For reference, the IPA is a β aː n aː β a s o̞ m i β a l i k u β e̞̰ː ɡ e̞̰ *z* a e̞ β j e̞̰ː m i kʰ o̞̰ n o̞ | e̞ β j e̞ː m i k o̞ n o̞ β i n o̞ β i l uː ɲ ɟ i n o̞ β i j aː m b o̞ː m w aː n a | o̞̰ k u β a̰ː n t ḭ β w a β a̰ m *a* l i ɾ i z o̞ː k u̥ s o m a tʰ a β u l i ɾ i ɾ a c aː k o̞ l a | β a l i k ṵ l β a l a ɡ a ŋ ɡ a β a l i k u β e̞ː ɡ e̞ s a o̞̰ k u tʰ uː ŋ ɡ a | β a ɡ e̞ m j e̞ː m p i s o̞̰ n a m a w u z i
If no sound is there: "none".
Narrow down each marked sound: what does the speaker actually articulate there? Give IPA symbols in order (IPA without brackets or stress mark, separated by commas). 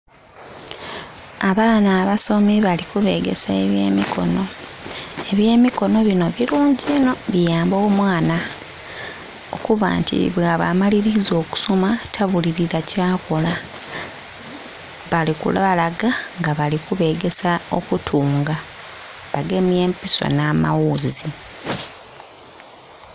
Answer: s, a